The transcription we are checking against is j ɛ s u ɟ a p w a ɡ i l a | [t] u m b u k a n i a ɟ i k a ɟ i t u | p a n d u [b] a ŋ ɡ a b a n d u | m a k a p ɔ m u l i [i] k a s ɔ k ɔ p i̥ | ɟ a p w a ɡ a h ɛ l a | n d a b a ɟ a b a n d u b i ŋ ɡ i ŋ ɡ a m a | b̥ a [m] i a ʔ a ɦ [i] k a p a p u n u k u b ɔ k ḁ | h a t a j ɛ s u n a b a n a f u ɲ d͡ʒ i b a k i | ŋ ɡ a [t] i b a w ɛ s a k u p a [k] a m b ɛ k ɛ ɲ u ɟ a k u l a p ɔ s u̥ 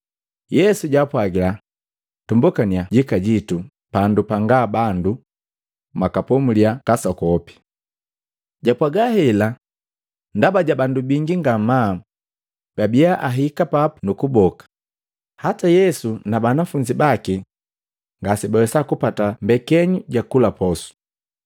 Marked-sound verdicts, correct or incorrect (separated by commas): correct, incorrect, incorrect, incorrect, correct, incorrect, incorrect